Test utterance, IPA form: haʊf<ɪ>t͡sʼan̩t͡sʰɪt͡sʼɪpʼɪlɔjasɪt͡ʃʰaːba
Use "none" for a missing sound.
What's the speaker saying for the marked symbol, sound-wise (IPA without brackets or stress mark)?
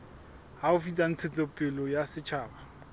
i